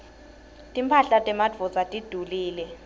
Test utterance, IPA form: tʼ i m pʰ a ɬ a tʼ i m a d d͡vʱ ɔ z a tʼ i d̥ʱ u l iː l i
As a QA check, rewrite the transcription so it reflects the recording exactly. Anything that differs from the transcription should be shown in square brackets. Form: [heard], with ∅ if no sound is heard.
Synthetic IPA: tʼ i m pʰ a ɬ a tʼ [ɛ] m a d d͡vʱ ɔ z a tʼ i d̥ʱ u l iː l [ɛ]